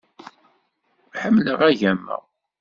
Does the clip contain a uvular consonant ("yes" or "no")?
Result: yes